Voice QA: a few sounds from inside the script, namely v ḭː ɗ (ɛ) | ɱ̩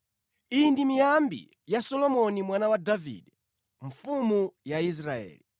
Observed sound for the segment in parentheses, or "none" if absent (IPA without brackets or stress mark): ɛ